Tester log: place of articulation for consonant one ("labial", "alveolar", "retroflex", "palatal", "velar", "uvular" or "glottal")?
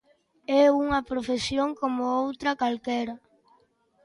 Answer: velar